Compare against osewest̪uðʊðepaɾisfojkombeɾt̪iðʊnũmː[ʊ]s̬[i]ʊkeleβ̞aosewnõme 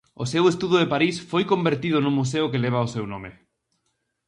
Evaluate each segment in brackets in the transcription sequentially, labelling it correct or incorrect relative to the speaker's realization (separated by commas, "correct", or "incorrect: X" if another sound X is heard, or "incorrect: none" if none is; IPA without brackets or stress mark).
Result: incorrect: u, incorrect: e